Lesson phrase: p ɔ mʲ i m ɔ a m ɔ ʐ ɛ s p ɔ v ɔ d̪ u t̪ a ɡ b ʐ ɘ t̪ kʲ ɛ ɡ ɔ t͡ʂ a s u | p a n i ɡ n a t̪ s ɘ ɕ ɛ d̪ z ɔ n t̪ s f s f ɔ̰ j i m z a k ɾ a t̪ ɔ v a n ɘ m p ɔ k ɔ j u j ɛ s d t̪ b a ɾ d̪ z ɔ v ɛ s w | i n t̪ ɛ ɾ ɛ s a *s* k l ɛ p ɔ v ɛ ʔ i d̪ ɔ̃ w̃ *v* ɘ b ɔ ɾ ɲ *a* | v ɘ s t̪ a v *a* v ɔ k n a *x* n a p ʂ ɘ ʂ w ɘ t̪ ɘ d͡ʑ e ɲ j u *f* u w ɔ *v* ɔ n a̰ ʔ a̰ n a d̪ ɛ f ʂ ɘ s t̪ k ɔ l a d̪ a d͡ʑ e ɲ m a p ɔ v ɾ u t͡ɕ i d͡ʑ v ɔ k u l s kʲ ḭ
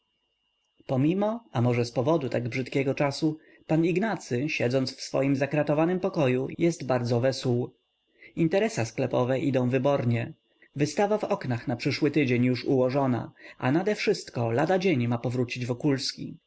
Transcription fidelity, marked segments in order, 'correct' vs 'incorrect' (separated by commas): correct, correct, incorrect, correct, correct, incorrect, incorrect